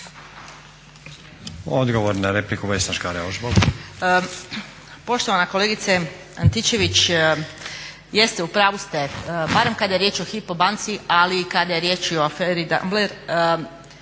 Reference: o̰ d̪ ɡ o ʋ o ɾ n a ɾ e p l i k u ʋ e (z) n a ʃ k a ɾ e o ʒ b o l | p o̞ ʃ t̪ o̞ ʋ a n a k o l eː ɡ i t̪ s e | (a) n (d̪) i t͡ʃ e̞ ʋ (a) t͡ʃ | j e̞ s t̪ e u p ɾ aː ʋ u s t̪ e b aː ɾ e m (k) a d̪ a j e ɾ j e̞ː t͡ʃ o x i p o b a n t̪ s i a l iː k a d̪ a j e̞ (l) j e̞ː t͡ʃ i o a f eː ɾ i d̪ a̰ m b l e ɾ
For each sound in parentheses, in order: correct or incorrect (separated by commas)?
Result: incorrect, correct, incorrect, incorrect, correct, incorrect